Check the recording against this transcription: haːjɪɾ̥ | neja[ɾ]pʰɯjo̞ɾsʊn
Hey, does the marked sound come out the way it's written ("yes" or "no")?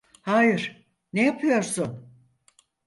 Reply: no